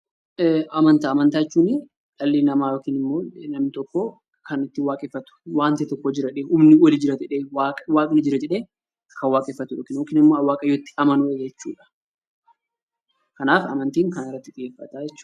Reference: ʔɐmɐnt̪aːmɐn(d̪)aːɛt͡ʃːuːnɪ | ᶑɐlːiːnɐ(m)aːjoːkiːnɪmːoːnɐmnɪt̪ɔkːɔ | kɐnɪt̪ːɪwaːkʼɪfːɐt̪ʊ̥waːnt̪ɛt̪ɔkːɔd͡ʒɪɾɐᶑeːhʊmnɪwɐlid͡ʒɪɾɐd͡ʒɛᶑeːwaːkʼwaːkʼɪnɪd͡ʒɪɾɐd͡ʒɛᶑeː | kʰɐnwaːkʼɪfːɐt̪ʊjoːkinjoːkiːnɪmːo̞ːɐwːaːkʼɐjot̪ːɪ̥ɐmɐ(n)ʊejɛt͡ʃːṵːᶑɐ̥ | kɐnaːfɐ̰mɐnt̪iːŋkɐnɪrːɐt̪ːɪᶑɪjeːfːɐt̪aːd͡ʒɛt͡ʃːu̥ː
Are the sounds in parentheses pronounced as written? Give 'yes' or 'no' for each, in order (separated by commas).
no, yes, yes